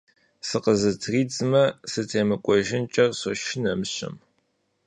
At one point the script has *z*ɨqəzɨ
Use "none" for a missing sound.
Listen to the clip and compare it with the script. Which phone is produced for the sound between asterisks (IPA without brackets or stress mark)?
s